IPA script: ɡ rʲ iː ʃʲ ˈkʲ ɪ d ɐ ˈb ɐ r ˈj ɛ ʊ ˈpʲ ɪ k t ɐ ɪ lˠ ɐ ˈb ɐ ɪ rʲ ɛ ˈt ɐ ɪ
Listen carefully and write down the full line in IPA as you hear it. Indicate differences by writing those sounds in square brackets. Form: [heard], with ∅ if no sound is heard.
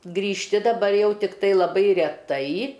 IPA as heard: ɡ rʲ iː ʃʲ [ˈtʲ] ɪ d ɐ ˈb ɐ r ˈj ɛ ʊ [ˈtʲ] ɪ k t ɐ ɪ lˠ ɐ ˈb ɐ ɪ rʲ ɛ ˈt ɐ ɪ